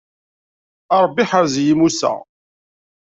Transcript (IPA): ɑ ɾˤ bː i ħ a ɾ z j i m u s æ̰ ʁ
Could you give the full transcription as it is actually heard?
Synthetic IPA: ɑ ɾˤ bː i ħ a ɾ z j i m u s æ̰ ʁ